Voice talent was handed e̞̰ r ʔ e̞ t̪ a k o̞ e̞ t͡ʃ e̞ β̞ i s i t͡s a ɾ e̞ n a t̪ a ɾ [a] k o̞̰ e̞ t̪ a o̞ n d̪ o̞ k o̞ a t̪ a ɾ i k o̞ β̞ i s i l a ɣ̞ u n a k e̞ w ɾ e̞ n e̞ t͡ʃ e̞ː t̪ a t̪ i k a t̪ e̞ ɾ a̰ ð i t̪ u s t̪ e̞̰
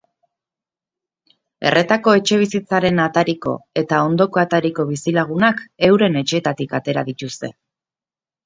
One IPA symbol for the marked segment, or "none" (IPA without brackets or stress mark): i